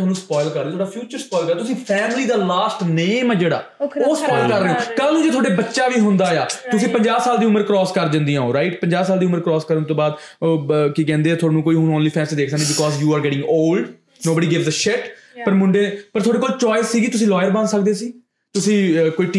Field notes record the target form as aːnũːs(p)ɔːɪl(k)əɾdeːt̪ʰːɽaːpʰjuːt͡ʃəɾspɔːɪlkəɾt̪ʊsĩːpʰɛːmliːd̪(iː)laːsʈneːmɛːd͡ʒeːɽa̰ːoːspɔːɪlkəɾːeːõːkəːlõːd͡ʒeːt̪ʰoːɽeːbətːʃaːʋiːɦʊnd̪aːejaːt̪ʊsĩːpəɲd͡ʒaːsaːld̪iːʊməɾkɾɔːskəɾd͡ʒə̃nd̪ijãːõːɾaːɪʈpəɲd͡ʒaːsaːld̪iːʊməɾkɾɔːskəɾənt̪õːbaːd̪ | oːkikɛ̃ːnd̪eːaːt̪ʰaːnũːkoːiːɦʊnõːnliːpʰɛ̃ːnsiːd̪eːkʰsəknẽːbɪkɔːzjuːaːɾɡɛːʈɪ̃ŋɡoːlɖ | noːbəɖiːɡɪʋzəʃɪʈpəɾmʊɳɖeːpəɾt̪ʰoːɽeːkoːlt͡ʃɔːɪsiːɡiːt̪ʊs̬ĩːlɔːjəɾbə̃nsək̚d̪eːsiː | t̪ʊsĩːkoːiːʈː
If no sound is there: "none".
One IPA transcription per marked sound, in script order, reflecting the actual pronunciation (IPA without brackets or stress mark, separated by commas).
p, k, aː